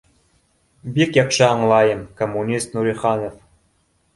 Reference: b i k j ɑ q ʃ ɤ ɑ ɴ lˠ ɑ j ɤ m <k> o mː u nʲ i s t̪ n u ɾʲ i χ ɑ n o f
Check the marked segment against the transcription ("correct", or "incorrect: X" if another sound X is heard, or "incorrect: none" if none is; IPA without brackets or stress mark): correct